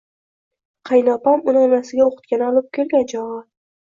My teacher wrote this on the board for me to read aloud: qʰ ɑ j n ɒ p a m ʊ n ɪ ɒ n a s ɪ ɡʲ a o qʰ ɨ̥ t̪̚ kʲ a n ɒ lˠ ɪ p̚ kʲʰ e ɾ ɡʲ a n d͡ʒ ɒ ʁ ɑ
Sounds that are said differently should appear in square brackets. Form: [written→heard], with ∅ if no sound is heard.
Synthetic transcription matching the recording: qʰ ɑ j n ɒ p a m ʊ n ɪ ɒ n a s ɪ ɡʲ a o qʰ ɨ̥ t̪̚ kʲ a n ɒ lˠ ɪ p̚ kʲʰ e [ɾ→l] ɡʲ a n d͡ʒ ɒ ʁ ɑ